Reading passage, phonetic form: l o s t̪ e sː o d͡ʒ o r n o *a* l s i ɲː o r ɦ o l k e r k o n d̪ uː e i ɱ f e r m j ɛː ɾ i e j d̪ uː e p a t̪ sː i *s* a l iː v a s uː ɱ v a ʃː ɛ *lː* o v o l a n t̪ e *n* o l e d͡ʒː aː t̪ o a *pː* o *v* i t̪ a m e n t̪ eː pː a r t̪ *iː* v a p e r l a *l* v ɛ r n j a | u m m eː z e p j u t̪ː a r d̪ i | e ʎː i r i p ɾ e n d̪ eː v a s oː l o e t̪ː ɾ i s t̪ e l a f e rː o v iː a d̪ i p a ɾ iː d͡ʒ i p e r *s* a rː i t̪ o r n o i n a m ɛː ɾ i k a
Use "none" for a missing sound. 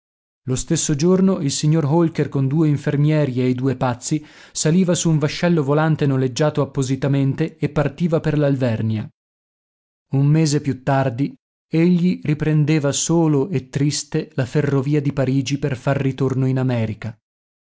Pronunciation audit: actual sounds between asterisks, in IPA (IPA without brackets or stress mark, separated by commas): i, s, lː, n, pː, z, iː, l, f